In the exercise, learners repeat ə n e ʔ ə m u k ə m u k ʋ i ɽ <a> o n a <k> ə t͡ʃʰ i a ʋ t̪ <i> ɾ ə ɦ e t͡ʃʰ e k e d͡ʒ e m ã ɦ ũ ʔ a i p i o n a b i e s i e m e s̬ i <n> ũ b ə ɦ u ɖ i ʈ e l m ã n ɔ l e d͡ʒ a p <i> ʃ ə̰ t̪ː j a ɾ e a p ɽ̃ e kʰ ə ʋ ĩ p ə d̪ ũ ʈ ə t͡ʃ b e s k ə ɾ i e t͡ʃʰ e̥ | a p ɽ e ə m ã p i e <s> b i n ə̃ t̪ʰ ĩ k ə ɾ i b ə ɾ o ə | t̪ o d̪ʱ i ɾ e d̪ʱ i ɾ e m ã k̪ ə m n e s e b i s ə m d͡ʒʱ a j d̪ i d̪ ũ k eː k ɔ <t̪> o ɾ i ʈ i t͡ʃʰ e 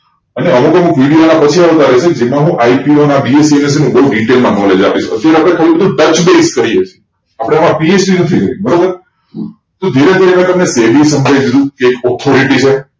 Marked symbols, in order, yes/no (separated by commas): no, no, no, yes, yes, yes, no